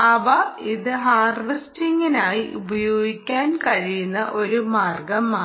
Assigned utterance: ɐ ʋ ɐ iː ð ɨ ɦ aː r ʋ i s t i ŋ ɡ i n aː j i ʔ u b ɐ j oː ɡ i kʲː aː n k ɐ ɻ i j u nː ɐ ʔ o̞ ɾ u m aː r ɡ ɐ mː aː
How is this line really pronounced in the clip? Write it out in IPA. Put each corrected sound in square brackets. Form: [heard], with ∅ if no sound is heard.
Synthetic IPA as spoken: ɐ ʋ ɐ [i] ð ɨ ɦ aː r ʋ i s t i ŋ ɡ i n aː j i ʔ u b ɐ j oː ɡ i kʲː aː n k ɐ ɻ i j u nː ɐ ʔ o̞ ɾ u m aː r ɡ ɐ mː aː